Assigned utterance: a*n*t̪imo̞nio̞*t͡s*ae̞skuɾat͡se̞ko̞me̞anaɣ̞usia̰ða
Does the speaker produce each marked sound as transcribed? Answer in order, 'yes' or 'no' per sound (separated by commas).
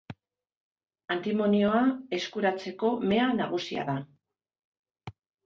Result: yes, no